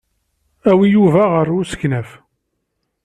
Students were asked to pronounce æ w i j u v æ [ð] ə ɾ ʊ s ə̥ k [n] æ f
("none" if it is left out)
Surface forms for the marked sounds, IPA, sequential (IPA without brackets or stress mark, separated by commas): ʁ, n